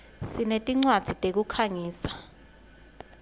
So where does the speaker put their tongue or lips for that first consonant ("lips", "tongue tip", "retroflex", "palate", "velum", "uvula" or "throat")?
tongue tip